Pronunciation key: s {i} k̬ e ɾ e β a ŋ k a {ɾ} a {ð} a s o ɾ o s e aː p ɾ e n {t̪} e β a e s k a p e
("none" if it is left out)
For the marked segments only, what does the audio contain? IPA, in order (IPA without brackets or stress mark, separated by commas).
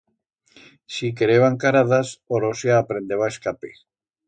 i, ɾ, ð, d̪